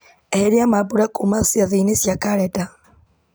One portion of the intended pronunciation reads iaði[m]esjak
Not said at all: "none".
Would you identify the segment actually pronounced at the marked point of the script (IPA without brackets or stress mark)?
n